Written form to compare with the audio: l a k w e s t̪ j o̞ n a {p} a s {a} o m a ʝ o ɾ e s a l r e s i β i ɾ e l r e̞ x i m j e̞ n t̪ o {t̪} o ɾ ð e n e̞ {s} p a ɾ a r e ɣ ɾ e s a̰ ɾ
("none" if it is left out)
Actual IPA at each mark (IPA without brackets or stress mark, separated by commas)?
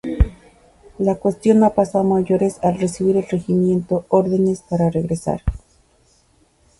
p, a, none, s